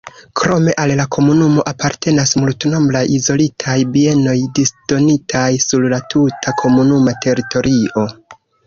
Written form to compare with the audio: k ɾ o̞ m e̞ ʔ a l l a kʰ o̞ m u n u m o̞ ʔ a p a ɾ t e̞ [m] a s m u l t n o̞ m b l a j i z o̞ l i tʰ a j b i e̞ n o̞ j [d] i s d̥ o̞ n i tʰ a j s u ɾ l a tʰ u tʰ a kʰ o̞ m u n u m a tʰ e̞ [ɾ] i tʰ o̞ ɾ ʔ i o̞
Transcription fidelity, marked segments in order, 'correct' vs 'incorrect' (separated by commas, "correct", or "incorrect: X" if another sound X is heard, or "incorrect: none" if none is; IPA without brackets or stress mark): incorrect: n, correct, correct